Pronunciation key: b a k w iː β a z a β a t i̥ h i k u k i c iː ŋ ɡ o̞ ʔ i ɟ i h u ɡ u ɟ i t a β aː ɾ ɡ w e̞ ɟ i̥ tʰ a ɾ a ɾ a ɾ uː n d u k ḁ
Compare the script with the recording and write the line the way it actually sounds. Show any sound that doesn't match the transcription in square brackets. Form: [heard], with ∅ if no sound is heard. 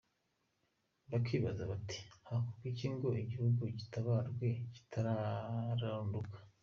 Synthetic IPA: b a k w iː β a z a β a t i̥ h [a] k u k i c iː ŋ ɡ o̞ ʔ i ɟ i h u ɡ u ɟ i t a β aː ɾ ɡ w e̞ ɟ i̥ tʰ a ɾ a ɾ a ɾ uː n d u k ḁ